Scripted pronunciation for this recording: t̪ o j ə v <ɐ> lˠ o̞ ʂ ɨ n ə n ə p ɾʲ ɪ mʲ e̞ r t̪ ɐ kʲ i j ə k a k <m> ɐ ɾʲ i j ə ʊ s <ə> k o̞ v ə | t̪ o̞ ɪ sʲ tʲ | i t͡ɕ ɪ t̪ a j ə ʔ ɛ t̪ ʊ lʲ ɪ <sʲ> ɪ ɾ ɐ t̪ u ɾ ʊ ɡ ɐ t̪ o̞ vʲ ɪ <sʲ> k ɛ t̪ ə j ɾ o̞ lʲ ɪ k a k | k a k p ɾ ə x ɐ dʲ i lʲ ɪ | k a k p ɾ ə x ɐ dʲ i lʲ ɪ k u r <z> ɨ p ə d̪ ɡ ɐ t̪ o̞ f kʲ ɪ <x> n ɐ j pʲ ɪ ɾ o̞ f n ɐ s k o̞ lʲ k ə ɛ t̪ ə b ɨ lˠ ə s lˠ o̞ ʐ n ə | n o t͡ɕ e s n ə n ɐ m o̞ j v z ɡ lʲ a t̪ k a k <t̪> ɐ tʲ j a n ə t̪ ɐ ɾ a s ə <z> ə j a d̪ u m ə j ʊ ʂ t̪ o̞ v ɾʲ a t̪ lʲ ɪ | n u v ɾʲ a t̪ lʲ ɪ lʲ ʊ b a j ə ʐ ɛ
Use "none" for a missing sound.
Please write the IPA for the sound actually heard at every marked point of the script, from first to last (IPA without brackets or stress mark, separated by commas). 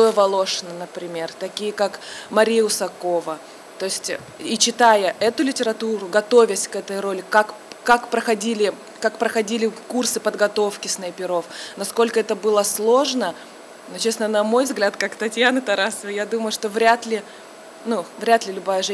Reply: ɐ, m, ɐ, tʲ, sʲ, s, s, t̪, v